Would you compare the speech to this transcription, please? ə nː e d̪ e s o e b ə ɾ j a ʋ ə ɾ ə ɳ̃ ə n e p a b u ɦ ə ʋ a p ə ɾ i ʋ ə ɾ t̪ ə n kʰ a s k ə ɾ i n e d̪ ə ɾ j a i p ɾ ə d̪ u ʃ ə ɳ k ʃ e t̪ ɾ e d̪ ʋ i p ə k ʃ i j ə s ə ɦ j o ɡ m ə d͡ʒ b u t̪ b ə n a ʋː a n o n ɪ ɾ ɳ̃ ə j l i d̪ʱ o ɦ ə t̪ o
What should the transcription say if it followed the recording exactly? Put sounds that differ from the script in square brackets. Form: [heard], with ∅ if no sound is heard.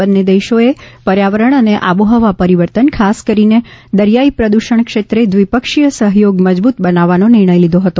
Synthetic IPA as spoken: ə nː e d̪ e [ʃ] o e [p] ə ɾ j a ʋ ə ɾ ə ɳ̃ ə n e [ʔ] a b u ɦ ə ʋ a p ə ɾ i ʋ ə ɾ t̪ ə n kʰ a s k ə ɾ i n e d̪ ə ɾ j a i p ɾ ə d̪ u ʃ ə ɳ k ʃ e t̪ ɾ e d̪ ʋ i p ə k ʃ i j ə s ə ɦ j o ɡ m ə d͡ʒ b u t̪ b ə n a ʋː a n o n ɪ ɾ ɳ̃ ə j l i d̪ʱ o ɦ ə t̪ o